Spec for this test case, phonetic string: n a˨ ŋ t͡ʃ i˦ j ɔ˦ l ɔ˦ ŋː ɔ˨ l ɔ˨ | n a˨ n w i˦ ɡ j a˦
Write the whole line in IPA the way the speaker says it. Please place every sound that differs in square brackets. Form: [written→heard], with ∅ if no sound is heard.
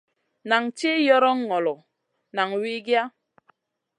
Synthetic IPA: n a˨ ŋ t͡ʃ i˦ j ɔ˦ [l→ɾ] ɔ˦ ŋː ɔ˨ l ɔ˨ | n a˨ [n→ŋ] w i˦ ɡ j a˦